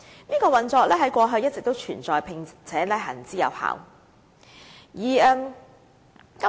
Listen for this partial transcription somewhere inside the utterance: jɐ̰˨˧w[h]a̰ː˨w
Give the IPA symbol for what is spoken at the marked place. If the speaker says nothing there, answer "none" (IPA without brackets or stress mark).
h